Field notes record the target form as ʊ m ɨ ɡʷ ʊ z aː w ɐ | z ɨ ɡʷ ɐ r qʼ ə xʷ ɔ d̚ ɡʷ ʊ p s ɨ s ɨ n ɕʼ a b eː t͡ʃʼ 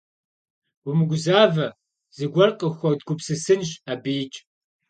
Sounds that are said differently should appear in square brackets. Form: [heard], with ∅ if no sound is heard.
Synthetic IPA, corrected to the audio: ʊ m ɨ ɡʷ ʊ z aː [v] ɐ | z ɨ ɡʷ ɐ r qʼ ə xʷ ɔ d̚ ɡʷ ʊ p s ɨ s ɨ n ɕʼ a b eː t͡ʃʼ